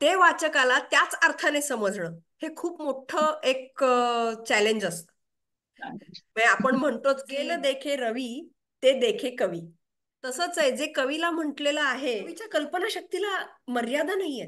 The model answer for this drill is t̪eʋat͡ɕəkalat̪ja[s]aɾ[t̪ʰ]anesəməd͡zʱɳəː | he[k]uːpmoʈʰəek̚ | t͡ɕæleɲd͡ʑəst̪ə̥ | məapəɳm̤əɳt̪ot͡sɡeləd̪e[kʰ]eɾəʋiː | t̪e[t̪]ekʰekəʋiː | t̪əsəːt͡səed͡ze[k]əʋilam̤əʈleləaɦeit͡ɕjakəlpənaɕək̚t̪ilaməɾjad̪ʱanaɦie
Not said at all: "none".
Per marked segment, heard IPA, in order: t͡s, t̪ʰ, kʰ, kʰ, d̪, k

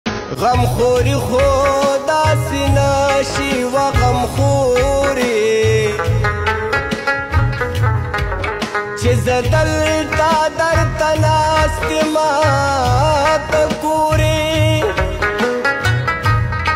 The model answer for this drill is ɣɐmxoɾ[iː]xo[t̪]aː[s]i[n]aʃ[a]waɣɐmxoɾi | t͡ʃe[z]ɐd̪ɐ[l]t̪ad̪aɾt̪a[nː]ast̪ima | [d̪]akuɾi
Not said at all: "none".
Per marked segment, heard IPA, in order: i, d̪, s, n, i, z, l, n, t̪

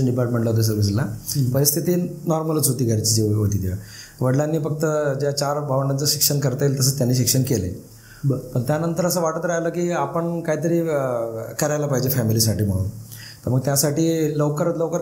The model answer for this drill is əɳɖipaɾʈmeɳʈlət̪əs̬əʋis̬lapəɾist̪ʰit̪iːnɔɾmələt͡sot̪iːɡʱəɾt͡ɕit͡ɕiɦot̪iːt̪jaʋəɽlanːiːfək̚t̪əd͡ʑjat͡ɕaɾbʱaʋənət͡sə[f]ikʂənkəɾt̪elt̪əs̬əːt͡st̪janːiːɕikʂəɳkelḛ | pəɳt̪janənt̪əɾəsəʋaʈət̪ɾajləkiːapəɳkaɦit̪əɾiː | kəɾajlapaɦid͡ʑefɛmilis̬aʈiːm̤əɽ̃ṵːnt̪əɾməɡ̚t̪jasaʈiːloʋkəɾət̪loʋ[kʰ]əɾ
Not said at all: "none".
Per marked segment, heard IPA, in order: ɕ, k

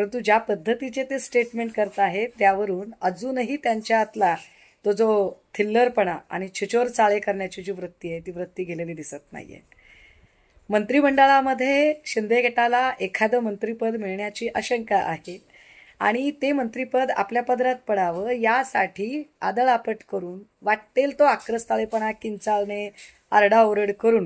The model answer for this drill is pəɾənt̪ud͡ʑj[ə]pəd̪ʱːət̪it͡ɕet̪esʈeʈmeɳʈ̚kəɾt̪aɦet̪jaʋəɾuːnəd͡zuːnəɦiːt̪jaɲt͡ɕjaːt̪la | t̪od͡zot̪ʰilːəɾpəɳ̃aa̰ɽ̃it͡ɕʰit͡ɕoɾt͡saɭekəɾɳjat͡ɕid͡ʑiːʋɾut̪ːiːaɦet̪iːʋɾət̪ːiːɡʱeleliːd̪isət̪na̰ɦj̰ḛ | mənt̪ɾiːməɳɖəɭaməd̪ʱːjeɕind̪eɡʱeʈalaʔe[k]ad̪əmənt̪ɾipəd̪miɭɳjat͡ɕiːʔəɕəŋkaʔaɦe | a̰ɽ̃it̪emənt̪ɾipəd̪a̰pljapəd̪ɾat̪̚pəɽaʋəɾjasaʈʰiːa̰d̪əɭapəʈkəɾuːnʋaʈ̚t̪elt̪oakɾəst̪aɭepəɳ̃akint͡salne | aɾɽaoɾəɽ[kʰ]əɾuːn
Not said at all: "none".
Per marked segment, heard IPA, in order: a, kʰ, k

